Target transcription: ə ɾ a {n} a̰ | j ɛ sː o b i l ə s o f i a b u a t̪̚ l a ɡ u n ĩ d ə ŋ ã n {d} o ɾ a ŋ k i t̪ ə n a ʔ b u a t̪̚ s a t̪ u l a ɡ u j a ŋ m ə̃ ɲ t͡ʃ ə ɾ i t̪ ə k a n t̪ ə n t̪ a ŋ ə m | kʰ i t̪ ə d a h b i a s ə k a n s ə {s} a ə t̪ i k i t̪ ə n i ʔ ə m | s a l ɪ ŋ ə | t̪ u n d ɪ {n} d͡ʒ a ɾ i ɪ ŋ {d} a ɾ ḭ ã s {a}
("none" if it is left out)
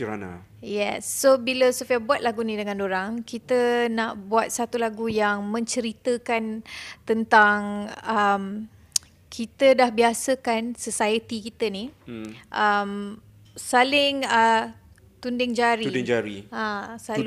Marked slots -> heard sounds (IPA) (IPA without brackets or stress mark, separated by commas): n, d, s, ŋ, d͡ʒ, a